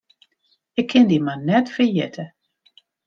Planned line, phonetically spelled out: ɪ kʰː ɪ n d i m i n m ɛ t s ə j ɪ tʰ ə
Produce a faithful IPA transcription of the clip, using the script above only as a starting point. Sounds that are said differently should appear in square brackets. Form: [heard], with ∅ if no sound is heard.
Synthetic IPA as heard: ɪ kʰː ɪ n d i m [a] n [n] ɛ t [f] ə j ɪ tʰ ə

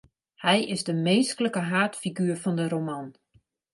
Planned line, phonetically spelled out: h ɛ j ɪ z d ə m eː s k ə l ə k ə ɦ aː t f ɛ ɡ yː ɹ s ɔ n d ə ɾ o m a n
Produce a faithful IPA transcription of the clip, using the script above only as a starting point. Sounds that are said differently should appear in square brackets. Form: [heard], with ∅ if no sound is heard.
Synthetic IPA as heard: h ɛ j ɪ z d ə m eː s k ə l ə k ə ɦ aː t f [i] ɡ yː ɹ [f] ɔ n d ə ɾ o m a n

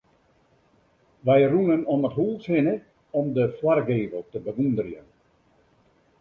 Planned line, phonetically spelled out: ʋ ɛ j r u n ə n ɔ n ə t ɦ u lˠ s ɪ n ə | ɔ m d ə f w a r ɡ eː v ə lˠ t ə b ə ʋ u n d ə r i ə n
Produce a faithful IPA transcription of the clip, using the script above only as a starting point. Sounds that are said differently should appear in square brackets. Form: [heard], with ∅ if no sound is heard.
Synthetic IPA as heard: ʋ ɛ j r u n ə n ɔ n ə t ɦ u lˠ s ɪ n ə | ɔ m d ə f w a r ɡ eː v ə lˠ t ə b ə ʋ u n d ə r [j] ə n

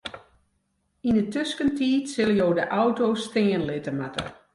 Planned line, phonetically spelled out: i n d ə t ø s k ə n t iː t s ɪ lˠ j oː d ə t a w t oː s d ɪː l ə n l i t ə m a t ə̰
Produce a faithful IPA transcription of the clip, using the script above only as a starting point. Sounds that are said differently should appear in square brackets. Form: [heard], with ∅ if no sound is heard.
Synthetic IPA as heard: i n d ə t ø s k ə n t iː t s ɪ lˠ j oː d ə [ʔ] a w t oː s [t] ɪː [∅] ə n l [ɪ] t ə m a t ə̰

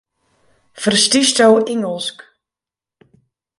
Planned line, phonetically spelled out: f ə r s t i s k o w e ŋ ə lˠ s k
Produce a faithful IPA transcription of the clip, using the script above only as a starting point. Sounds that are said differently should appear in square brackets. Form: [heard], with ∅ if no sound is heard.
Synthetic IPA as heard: f ə r s t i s [t] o w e ŋ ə lˠ s k

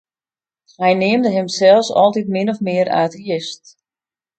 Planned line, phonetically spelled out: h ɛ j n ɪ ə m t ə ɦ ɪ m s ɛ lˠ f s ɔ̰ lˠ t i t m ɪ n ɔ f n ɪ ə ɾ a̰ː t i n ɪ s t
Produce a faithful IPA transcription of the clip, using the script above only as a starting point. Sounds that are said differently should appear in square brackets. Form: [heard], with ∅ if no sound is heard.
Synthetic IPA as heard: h ɛ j n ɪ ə m [d] ə ɦ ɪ m s ɛ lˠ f s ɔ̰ lˠ t i t m ɪ n ɔ f [m] ɪ ə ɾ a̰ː t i [∅] ɪ s t

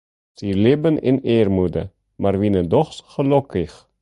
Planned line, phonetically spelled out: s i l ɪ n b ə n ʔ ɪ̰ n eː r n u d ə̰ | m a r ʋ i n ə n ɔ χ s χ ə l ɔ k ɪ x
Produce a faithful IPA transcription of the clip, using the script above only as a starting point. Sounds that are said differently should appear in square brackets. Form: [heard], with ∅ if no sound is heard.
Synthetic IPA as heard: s i l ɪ [∅] b ə n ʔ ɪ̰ n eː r [m] u d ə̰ | m a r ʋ i n ə [d] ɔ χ s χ ə l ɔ k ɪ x

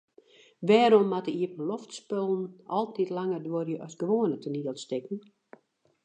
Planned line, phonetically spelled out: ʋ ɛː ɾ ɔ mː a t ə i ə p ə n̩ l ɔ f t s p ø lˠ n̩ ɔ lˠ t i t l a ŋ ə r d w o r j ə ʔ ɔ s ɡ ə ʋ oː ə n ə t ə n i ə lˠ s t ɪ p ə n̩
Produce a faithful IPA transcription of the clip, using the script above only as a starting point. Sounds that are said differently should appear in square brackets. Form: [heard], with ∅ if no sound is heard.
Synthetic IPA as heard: ʋ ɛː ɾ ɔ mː a t ə i ə p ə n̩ l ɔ f t s p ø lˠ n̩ ɔ lˠ t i t l a ŋ ə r d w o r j ə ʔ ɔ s ɡ ə ʋ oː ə n ə t ə n i ə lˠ s t ɪ [k] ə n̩

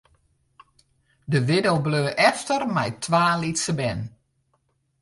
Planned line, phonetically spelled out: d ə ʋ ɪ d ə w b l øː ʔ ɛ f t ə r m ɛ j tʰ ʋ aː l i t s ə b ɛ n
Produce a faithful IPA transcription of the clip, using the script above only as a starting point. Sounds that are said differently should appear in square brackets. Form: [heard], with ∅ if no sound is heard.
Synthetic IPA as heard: d ə ʋ ɪ d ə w b l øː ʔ ɛ f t ə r m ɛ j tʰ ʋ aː l i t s ə b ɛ n

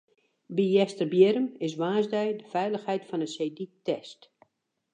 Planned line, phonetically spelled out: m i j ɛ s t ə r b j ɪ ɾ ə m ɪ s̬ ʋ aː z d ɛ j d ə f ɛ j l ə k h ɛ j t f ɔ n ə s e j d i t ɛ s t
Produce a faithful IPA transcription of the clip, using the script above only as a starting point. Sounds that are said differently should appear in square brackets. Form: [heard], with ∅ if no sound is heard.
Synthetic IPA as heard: [b] i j ɛ s t ə r b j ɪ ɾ ə m ɪ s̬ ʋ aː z d ɛ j d ə f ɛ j l ə [x] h ɛ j t f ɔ n ə s e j d i t ɛ s t

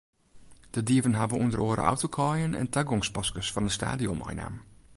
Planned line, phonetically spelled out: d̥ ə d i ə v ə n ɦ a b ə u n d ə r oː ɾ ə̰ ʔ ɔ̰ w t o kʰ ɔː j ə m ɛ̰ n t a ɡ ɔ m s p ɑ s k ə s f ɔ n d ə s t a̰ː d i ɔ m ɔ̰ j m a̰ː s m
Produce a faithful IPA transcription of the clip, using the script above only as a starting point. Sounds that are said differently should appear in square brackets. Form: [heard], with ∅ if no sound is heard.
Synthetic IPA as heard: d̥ ə d i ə v ə n ɦ a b ə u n d ə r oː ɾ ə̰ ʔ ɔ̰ w t o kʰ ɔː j ə [n] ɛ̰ n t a ɡ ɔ [ŋ] s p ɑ s k ə s f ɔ n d ə s t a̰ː d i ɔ m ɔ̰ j [n] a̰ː [∅] m

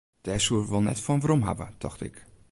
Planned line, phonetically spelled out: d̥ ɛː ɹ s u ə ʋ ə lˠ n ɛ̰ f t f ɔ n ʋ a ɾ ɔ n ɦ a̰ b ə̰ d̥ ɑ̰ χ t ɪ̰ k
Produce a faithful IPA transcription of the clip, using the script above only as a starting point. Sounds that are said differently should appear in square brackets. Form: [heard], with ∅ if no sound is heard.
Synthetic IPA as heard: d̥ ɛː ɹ s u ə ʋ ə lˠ n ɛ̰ [∅] t f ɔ n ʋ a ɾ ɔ [m] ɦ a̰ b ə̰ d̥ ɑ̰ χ t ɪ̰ k

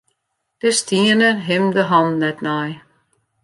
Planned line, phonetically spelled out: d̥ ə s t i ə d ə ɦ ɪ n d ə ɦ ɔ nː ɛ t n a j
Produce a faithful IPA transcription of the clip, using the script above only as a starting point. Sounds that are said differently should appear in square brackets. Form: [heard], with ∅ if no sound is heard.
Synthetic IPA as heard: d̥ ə s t i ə [n] ə ɦ ɪ [m] d ə ɦ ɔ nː ɛ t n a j

